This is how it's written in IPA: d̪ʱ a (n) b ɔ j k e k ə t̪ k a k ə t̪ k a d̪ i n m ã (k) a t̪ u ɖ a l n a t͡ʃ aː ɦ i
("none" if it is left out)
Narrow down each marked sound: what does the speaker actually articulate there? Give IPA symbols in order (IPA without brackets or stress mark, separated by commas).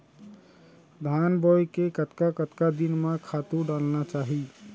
n, kʰ